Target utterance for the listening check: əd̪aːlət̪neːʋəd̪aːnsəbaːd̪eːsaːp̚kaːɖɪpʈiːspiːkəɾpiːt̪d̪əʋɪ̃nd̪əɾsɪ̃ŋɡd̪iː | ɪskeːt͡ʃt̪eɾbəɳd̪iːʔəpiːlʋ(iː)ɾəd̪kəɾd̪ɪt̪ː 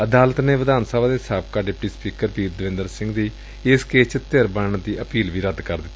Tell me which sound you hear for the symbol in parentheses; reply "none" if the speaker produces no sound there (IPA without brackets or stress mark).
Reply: iː